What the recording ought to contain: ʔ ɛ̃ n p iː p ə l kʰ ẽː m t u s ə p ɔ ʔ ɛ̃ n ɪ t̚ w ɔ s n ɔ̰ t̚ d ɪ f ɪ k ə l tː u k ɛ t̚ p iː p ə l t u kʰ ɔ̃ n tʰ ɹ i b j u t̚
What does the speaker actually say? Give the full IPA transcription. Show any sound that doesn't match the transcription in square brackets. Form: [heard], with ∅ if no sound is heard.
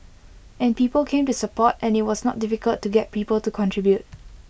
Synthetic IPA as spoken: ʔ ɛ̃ n p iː p ə l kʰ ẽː m t u s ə p ɔ [t] ɛ̃ n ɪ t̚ w ɔ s n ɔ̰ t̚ d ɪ f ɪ k ə l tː u [ɡ] ɛ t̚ p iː p ə l t u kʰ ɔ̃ n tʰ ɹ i b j u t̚

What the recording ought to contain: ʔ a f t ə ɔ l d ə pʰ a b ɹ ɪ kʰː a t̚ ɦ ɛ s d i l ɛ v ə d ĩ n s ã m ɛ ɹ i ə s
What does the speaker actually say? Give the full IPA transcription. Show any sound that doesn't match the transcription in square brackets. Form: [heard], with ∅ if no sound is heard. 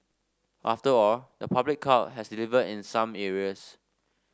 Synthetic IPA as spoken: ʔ a f t ə ɔ l d ə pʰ a b [l] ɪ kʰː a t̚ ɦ ɛ s d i l [i] v ə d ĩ n s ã m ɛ ɹ i ə s

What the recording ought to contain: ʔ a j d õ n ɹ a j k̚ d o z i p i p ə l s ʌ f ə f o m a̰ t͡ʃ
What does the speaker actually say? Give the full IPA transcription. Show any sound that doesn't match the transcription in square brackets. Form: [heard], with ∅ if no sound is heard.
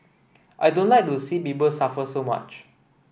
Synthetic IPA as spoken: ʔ a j d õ n [l] a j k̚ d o [s] i p i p ə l s [a] f ə [s] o m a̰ t͡ʃ

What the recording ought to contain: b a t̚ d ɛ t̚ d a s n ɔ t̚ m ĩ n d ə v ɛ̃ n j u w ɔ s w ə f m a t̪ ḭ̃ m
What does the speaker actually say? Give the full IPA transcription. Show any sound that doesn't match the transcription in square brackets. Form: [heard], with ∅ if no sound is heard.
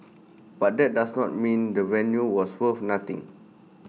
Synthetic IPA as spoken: b a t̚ d ɛ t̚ d a s n ɔ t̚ m ĩ n d ə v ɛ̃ n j u w ɔ s w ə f [n] a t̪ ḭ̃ [ŋ]

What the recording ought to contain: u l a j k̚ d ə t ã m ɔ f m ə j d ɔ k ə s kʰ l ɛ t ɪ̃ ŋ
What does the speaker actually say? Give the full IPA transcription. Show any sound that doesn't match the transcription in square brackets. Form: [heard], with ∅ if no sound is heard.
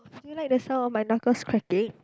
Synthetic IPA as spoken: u l a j k̚ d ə [s] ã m ɔ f m [a] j [n] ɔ k ə s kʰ [ɹ] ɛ [k] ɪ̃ ŋ

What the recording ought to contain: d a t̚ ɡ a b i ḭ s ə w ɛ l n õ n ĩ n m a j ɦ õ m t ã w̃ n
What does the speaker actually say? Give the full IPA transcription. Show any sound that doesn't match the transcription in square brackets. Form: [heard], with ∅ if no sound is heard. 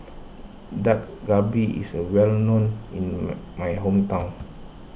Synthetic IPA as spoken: d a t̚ ɡ a b i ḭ s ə w ɛ l n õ n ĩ n m a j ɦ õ m t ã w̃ n

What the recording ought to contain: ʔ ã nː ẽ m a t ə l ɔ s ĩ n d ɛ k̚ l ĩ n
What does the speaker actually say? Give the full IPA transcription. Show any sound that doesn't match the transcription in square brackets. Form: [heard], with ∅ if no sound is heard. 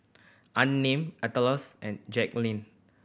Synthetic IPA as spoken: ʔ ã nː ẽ m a t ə l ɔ s [ɛ̃] n [d͡ʒ] ɛ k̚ l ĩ n

